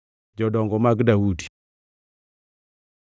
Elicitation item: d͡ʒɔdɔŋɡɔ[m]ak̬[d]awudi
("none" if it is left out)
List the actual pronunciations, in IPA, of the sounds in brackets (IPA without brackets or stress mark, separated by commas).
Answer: m, d